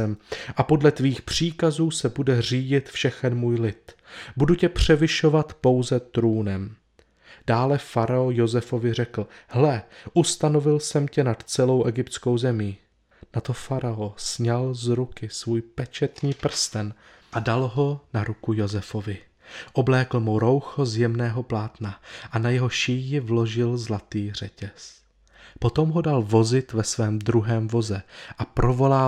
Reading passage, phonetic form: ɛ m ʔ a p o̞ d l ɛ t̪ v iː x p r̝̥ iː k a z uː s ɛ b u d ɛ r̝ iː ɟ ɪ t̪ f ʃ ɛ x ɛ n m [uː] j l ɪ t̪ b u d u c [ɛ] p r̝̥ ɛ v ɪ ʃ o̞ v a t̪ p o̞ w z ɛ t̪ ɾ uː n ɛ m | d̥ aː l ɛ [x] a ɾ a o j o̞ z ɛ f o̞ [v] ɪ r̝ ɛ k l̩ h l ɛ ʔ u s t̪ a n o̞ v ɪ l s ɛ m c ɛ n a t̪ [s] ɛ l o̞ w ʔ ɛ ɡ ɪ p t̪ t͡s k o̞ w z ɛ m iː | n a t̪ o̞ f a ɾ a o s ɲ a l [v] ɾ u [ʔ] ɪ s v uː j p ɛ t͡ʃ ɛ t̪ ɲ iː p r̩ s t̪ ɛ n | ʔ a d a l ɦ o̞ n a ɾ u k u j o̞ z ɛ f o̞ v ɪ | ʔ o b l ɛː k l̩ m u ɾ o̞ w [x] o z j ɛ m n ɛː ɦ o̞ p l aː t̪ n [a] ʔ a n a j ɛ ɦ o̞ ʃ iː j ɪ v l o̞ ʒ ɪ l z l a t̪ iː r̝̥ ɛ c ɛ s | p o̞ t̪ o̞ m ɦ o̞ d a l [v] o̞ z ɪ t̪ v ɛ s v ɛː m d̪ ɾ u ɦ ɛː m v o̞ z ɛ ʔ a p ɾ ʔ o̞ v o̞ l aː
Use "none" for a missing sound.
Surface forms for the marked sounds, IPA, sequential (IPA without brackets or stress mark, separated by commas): uː, ɛ, f, v, t͡s, z, k, x, a, v